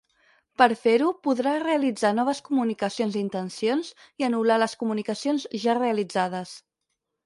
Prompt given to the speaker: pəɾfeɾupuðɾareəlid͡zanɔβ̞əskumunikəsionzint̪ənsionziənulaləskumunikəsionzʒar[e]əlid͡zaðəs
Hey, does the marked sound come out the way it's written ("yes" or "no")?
yes